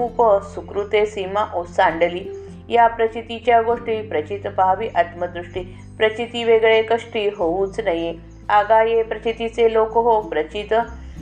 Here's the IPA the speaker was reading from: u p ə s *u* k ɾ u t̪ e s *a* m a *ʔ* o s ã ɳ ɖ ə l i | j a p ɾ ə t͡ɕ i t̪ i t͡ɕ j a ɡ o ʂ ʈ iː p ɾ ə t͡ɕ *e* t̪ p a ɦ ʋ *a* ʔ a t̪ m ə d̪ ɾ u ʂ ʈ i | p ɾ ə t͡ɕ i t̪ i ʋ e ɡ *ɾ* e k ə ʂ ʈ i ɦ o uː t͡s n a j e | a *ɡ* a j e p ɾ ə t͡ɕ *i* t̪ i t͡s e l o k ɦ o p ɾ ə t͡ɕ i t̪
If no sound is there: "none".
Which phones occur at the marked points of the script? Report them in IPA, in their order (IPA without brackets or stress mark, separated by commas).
u, i, ʔ, i, i, ɭ, ɡ, i